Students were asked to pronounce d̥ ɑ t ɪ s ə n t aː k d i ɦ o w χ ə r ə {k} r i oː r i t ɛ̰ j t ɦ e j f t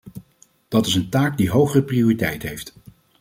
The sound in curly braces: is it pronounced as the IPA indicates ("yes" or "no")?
no